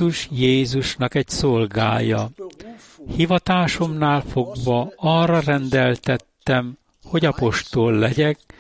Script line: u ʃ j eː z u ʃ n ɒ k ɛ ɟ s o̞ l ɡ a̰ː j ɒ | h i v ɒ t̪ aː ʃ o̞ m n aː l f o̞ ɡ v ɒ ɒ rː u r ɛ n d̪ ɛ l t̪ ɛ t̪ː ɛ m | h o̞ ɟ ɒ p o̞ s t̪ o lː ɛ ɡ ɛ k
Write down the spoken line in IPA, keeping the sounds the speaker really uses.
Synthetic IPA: u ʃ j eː z u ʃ n ɒ k ɛ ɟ s o̞ l ɡ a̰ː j ɒ | h i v ɒ t̪ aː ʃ o̞ m n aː l f o̞ ɡ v ɒ ɒ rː ɒ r ɛ n d̪ ɛ l t̪ ɛ t̪ː ɛ m | h o̞ ɟ ɒ p o̞ ʃ t̪ o lː ɛ ɟ ɛ k